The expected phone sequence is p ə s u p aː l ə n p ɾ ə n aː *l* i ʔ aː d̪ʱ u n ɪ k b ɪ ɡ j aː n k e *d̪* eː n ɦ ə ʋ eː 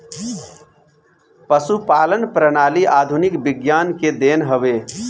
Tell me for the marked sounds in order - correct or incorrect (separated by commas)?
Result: correct, correct